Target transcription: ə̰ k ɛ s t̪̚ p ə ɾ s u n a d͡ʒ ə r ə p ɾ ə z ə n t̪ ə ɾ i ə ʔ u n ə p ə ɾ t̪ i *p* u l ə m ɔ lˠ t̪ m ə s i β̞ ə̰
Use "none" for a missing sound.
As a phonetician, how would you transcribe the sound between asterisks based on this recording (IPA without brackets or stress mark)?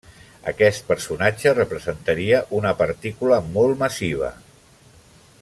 k